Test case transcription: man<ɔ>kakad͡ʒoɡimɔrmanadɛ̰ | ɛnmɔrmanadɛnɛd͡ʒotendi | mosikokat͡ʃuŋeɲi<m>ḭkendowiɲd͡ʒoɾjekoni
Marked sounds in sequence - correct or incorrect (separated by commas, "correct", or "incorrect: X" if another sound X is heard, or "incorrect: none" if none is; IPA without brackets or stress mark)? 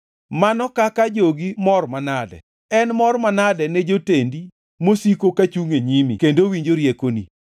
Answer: correct, correct